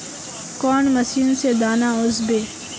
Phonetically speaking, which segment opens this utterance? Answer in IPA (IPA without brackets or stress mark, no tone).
k